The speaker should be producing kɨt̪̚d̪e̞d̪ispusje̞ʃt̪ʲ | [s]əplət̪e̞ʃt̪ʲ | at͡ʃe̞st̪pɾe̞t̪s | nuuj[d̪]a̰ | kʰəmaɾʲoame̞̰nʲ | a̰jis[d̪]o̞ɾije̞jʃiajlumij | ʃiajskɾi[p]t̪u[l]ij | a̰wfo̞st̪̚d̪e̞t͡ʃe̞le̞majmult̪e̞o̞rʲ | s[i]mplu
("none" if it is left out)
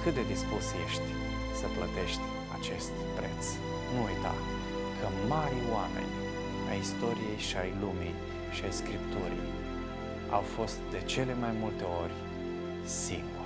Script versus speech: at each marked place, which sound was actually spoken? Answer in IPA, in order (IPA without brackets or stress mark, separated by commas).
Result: s, t̪, t̪, p, ɾ, i